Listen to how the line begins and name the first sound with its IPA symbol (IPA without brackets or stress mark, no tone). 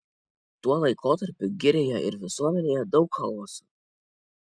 t̪